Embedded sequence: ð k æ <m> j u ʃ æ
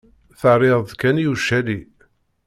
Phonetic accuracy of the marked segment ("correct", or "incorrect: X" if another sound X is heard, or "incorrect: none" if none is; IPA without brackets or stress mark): incorrect: n